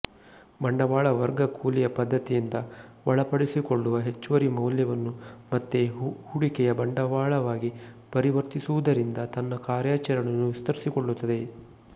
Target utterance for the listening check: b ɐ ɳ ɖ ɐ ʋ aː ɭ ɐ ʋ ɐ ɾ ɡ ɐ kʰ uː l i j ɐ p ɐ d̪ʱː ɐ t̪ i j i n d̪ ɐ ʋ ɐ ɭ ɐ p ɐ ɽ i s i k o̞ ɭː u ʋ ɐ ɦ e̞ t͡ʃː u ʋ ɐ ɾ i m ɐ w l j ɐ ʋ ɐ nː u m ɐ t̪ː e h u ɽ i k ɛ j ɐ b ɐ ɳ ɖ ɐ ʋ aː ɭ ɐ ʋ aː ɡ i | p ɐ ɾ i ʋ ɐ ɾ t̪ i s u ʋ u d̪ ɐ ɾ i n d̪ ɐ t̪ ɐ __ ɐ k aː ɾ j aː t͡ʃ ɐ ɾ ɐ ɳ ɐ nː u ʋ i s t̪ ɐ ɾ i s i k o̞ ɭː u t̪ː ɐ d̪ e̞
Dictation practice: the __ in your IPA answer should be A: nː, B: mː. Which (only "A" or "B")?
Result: A